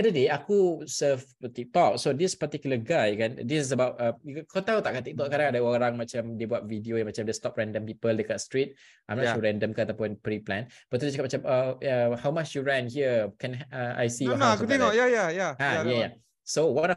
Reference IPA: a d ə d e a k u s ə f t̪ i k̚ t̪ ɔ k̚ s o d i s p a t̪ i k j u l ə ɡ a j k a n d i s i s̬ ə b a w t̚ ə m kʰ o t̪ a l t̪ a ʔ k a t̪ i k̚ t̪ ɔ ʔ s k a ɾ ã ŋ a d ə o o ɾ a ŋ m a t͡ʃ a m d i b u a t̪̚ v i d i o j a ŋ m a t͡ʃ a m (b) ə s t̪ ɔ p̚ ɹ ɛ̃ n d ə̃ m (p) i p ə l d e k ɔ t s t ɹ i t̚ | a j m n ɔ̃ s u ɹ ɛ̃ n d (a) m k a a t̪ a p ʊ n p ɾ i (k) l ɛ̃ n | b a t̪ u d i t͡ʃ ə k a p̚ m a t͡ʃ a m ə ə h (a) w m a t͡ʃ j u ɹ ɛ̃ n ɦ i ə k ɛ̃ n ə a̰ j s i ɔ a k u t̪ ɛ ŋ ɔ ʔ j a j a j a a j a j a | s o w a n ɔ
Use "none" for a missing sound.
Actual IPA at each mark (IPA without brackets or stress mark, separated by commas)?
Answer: d, p, ə, p, a